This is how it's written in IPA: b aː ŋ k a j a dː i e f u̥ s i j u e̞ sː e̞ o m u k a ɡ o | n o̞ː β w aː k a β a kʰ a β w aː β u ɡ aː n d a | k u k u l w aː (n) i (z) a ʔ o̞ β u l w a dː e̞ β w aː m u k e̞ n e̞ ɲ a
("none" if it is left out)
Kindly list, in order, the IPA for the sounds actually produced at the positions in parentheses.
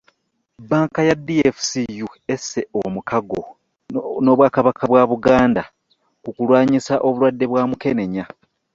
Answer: ɲ, s

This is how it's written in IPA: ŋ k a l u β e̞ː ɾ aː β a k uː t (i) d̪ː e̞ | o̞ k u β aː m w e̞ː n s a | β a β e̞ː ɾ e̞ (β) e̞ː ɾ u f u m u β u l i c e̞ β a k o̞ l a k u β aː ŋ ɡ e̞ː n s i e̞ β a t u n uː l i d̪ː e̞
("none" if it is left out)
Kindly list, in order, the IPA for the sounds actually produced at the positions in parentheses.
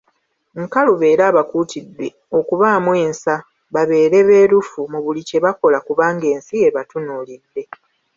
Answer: i, β

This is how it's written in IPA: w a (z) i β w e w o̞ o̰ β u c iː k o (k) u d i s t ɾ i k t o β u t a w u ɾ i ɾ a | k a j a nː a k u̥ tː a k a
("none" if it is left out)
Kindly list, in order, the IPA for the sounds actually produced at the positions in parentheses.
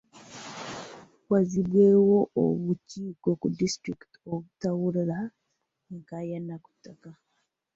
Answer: z, k

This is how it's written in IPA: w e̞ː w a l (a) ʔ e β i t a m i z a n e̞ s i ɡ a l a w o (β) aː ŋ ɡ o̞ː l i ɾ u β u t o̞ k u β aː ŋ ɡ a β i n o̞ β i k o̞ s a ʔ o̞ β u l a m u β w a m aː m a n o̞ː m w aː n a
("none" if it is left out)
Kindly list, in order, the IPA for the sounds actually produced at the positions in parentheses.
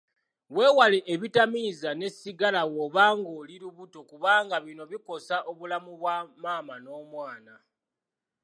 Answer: e, β

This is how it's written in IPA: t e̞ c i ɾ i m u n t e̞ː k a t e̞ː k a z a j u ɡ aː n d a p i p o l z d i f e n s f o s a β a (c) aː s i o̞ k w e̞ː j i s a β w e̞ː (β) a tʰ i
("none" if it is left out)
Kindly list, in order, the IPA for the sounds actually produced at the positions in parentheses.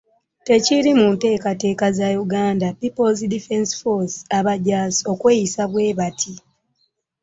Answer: ɟ, β

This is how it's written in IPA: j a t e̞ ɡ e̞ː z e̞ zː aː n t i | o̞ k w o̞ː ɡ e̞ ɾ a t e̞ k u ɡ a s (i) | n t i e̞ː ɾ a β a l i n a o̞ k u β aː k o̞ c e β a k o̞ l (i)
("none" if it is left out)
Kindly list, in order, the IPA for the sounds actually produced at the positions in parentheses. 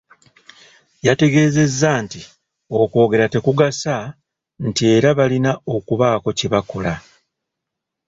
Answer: a, a

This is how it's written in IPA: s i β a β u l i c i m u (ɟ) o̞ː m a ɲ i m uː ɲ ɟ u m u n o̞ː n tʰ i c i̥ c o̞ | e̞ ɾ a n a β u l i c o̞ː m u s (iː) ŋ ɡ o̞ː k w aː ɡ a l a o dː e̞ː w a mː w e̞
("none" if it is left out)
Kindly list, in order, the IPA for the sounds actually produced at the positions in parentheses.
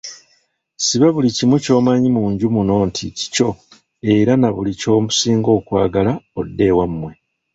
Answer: c, iː

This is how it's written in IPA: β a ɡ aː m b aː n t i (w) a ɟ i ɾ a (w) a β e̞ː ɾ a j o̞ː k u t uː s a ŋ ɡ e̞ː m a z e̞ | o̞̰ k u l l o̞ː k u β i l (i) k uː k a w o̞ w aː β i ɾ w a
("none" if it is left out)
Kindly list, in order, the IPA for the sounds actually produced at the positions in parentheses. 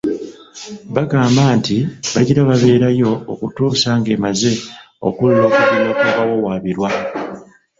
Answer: β, β, a

